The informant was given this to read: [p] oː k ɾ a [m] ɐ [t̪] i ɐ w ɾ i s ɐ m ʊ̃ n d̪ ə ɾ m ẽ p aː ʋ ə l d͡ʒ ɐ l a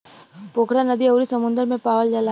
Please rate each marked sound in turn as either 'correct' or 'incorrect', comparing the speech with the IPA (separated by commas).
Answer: correct, incorrect, incorrect